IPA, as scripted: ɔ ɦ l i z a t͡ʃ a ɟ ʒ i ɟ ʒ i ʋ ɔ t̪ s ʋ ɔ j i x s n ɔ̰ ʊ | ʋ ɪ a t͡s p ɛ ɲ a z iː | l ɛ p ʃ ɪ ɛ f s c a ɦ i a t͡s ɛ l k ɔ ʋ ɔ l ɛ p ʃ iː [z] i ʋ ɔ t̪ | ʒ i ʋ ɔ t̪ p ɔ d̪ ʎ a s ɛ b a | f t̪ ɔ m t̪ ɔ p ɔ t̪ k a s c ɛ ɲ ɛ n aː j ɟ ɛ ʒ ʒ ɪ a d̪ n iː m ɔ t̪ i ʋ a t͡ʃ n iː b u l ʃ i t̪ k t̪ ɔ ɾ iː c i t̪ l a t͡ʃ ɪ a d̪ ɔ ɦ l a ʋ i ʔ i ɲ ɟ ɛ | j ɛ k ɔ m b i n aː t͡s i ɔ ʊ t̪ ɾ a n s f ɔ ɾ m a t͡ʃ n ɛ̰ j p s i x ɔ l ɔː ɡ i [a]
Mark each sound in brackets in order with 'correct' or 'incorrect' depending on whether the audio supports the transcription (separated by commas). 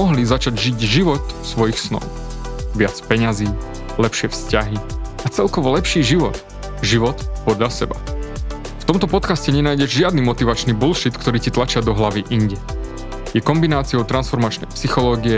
incorrect, incorrect